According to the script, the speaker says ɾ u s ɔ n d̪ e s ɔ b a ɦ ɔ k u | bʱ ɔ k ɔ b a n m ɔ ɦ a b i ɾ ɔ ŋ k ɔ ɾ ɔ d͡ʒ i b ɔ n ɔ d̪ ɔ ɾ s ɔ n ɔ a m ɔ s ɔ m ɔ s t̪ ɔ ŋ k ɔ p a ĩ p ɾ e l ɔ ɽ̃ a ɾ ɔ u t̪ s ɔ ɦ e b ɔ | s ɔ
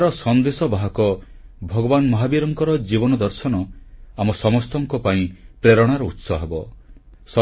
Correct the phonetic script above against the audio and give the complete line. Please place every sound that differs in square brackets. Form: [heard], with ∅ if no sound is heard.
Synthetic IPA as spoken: ɾ [ɔ] s ɔ n d̪ e s ɔ b a ɦ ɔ k [ɔ] | bʱ ɔ [ɡ] ɔ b a n m ɔ ɦ a b i ɾ ɔ ŋ k ɔ ɾ ɔ d͡ʒ i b ɔ n ɔ d̪ ɔ ɾ s ɔ n ɔ a m ɔ s ɔ m ɔ s t̪ ɔ ŋ k ɔ p a ĩ p ɾ e [ɾ] ɔ ɽ̃ a ɾ ɔ u t̪ s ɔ ɦ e b ɔ | s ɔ